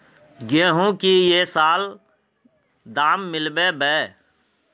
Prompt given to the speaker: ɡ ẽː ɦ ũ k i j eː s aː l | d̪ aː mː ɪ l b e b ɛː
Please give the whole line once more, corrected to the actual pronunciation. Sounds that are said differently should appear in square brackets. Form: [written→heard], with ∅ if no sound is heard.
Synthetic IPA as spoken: ɡ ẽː ɦ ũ k i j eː s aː l | d̪ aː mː ɪ l b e b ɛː